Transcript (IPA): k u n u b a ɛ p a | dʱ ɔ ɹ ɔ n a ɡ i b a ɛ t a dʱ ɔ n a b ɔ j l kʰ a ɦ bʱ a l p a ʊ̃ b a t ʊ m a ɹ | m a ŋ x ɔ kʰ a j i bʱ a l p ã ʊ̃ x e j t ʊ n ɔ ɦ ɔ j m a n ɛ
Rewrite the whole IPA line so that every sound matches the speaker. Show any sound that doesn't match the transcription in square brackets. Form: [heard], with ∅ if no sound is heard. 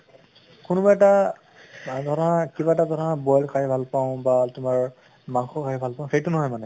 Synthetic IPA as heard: k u n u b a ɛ [t] a | dʱ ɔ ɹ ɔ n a [k] i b a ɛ t a dʱ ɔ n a b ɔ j l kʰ a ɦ bʱ a l p a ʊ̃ b a t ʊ m a ɹ | m a ŋ x ɔ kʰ a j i bʱ a l p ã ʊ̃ x e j t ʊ n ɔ ɦ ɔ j m a n ɛ